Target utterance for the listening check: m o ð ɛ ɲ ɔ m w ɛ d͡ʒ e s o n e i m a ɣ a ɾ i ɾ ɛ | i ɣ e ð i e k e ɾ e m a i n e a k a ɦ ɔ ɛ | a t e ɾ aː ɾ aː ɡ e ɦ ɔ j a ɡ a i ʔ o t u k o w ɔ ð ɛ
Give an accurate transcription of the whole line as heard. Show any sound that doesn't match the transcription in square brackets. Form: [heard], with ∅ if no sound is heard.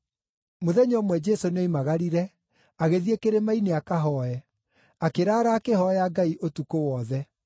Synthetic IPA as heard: m o ð ɛ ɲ ɔ m w ɛ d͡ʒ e s o n e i m a ɣ a ɾ i ɾ ɛ | [a] ɣ e ð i e k e ɾ e m a i n e a k a ɦ ɔ ɛ | a [k] e ɾ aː ɾ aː [k] e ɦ ɔ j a ɡ a i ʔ o t u k o w ɔ ð ɛ